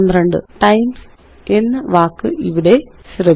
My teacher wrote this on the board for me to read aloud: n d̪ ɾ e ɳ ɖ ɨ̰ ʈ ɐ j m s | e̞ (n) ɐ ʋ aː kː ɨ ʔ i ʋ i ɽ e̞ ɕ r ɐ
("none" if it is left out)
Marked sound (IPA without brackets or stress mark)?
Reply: nː